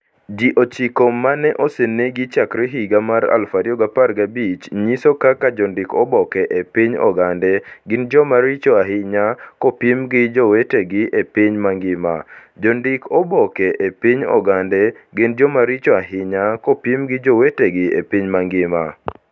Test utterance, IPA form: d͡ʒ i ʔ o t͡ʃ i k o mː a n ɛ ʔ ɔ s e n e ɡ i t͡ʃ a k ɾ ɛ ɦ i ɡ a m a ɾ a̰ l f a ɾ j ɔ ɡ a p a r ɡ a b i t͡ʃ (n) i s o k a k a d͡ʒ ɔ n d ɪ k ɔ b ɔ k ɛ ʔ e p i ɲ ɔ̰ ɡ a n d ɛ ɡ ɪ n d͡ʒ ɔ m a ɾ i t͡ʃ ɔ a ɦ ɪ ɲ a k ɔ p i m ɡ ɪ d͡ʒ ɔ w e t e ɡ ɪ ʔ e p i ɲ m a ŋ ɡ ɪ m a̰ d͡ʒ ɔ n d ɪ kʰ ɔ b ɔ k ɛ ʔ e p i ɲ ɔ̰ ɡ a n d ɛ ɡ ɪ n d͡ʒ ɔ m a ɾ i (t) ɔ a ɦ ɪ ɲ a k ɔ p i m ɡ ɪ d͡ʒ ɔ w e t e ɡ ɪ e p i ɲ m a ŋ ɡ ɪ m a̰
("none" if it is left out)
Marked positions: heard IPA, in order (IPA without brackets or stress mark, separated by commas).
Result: ɲ, t͡ʃ